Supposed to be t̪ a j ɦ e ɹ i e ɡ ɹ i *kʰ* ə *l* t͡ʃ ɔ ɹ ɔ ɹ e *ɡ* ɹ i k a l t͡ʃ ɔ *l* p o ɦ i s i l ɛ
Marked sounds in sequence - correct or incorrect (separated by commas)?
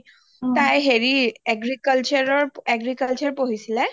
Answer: incorrect, correct, correct, incorrect